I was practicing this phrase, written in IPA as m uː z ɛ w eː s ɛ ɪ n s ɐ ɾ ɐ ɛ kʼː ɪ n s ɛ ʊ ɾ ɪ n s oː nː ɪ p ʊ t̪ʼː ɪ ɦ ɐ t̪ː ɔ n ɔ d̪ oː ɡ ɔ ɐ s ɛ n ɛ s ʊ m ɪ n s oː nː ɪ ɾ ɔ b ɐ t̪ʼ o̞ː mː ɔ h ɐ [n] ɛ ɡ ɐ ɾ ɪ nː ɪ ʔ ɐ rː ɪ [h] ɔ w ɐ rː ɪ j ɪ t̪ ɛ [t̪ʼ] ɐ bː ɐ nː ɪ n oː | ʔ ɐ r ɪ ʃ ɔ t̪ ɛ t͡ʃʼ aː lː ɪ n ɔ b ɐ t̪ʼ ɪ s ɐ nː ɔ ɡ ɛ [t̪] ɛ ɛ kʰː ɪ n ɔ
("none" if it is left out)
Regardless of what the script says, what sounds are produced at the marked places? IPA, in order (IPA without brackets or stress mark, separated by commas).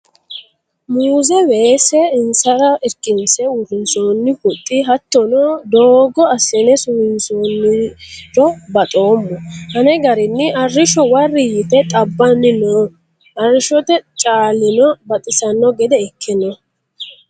n, ʃ, t̪ʼ, d̪